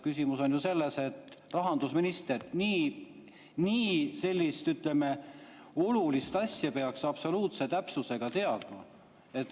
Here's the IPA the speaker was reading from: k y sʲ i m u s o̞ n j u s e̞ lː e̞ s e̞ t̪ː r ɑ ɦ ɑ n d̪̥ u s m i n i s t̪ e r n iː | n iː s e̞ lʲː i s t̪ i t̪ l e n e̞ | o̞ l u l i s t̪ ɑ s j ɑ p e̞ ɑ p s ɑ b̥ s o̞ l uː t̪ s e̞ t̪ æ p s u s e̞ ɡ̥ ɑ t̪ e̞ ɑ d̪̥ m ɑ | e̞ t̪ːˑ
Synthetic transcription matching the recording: k y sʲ i m u s o̞ n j u s e̞ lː e̞ s e̞ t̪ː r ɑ ɦ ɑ n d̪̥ u s m i n i s t̪ e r n iː | n iː s e̞ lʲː i s t̪ y t̪ l e m e̞ | o̞ l u l i s t̪ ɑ s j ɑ p e̞ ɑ k s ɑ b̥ s o̞ l uː t̪ s e̞ t̪ æ p s u s e̞ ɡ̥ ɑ t̪ e̞ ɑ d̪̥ m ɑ | e̞ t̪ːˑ